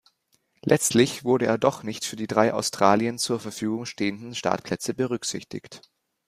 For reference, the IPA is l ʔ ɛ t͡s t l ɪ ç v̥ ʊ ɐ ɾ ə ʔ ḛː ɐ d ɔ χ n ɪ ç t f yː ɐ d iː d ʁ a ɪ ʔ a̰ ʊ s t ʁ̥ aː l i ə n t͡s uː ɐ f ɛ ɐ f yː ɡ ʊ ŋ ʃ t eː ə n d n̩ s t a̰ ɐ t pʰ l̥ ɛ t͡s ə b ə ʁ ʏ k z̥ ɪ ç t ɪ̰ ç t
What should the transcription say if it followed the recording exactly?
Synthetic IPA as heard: l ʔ ɛ t͡s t l ɪ ç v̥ ʊ ɐ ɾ ə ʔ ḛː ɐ d ɔ χ n ɪ ç t f yː ɐ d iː d ʁ a ɪ ʔ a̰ ʊ s t ʁ̥ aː l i ə n t͡s uː ɐ f ɛ ɐ f yː ɡ ʊ ŋ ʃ t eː ə n d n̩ ʃ t a̰ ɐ t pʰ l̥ ɛ t͡s ə b ə ʁ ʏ k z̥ ɪ ç t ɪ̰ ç t